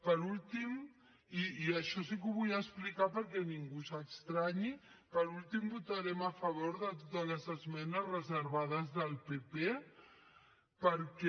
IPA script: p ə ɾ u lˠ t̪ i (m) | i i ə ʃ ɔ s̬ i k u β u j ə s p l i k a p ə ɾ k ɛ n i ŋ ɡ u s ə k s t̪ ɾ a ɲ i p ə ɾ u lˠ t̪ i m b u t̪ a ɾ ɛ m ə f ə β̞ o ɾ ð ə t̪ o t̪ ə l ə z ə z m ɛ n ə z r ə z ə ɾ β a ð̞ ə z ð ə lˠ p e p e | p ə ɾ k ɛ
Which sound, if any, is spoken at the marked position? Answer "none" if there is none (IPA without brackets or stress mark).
m